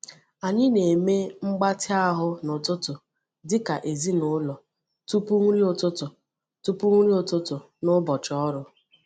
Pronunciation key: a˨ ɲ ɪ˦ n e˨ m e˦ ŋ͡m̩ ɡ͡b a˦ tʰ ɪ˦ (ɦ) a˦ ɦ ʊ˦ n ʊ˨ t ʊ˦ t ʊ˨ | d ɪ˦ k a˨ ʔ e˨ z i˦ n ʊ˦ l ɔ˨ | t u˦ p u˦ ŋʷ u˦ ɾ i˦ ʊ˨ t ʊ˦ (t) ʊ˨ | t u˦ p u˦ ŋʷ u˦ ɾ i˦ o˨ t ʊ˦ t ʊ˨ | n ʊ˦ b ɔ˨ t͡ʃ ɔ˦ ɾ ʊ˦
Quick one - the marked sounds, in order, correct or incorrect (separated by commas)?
incorrect, correct